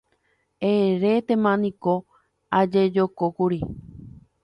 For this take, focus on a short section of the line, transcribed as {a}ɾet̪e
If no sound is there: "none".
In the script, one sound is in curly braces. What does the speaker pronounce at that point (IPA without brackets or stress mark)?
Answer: e